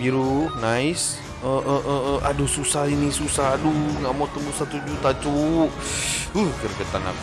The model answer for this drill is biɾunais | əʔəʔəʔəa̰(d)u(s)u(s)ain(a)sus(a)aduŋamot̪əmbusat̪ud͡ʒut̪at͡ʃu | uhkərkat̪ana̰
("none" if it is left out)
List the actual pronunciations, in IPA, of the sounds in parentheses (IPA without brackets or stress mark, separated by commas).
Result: d, s, s, i, a